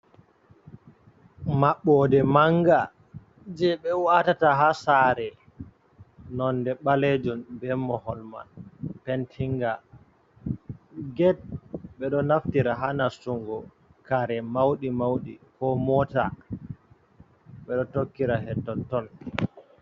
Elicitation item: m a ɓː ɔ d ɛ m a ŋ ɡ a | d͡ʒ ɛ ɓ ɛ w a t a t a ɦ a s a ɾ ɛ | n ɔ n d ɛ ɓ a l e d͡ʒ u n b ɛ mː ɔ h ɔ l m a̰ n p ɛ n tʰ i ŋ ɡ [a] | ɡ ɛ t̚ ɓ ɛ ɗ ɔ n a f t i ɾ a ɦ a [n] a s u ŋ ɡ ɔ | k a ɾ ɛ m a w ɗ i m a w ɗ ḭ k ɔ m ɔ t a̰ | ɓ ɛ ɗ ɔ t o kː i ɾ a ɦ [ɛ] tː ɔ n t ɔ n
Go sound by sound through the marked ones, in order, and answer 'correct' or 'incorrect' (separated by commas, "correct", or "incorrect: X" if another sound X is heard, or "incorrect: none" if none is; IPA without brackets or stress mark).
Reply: correct, correct, correct